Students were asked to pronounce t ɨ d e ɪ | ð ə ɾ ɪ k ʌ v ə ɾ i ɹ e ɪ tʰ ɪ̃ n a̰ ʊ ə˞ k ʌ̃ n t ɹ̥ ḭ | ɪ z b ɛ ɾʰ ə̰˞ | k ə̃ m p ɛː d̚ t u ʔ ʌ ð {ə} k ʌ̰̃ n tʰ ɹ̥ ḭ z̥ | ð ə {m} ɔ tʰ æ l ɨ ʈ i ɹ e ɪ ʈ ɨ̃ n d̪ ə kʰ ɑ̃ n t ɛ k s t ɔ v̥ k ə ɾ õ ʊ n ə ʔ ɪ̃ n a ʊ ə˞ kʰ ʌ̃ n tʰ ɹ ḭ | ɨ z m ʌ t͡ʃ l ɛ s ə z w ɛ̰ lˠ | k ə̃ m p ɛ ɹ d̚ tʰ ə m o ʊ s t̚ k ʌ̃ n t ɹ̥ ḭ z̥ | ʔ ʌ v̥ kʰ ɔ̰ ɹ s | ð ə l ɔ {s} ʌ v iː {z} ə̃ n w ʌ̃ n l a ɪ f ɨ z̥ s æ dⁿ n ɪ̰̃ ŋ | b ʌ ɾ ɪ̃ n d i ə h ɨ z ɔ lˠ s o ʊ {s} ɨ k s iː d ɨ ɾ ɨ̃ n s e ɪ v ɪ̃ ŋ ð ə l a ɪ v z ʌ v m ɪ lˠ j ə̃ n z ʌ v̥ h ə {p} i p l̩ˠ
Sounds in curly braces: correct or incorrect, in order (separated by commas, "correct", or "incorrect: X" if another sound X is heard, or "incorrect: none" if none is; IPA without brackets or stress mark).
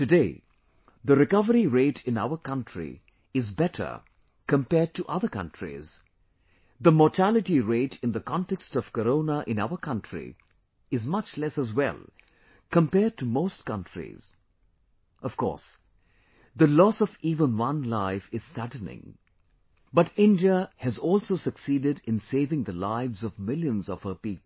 correct, correct, correct, incorrect: v, correct, correct